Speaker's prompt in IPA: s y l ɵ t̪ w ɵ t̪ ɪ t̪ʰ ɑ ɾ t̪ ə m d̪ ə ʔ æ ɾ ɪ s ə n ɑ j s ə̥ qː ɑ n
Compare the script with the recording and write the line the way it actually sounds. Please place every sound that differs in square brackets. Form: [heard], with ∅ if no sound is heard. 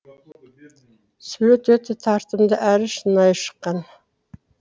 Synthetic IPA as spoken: s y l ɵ t̪ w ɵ t̪ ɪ t̪ʰ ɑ ɾ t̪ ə m d̪ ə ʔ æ ɾ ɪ [ʃ] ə n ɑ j [ʃ] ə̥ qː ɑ n